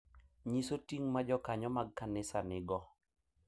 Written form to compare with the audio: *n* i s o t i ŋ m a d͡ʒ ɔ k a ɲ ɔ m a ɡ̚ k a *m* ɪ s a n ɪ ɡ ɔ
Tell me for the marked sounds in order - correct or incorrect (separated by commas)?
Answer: incorrect, incorrect